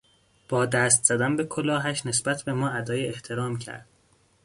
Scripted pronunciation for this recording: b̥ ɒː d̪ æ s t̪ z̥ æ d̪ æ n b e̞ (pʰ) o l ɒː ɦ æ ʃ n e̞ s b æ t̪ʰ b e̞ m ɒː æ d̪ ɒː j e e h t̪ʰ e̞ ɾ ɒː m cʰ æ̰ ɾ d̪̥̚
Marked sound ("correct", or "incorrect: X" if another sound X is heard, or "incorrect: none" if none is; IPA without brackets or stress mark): incorrect: kʰ